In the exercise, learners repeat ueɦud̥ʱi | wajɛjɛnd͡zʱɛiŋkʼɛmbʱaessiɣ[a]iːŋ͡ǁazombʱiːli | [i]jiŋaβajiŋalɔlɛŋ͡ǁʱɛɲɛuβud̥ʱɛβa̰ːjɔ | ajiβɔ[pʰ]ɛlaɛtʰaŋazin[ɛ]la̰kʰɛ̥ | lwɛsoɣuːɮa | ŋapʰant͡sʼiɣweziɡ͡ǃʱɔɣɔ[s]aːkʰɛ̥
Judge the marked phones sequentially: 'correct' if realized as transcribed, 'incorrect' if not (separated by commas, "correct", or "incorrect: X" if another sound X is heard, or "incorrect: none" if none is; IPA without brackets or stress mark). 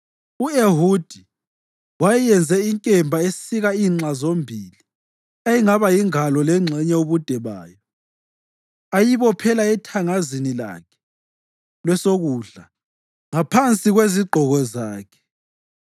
correct, incorrect: a, correct, incorrect: i, incorrect: z